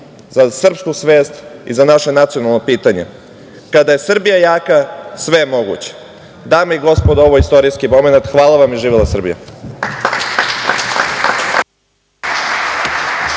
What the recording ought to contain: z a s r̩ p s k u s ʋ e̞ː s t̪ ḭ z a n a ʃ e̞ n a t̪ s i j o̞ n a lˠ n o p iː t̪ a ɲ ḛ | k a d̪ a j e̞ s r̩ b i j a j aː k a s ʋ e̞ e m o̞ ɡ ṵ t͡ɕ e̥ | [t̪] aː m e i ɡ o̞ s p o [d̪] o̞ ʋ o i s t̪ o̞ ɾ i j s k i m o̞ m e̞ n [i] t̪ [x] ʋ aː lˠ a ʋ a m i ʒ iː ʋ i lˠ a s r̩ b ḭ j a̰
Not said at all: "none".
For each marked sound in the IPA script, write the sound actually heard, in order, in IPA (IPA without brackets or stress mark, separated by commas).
d̪, d̪, a, x